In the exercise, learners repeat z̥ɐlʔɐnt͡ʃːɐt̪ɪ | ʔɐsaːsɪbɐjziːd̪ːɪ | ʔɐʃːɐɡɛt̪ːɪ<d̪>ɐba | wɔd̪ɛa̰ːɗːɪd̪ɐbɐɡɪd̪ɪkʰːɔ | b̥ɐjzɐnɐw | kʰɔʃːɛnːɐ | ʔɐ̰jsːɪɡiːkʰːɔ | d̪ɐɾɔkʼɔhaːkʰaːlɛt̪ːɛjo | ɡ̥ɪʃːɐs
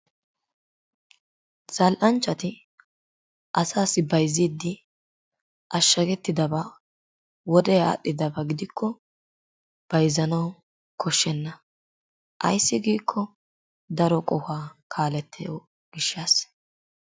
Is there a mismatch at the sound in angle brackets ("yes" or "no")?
no